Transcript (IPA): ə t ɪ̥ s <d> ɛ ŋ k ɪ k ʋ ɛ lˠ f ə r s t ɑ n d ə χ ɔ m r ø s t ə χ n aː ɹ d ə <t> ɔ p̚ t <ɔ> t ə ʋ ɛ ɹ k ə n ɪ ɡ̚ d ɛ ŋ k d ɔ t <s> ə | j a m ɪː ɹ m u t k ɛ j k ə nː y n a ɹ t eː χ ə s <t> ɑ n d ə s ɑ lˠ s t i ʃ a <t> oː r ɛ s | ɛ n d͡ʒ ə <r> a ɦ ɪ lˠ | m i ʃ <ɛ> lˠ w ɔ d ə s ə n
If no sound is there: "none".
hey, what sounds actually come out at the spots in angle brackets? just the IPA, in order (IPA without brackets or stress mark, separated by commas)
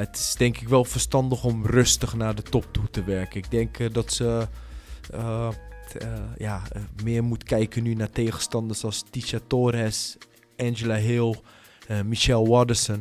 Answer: d, t, u, s, t, t, l, ɛ